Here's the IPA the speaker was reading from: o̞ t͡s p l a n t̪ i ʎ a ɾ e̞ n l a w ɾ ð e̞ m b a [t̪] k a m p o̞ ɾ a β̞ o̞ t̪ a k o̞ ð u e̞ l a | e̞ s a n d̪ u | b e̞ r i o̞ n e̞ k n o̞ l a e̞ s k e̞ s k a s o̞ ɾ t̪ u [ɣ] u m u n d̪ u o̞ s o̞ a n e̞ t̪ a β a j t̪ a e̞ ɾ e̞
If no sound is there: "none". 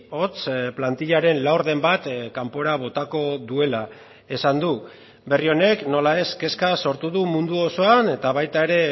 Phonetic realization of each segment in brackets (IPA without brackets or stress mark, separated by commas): t̪, ð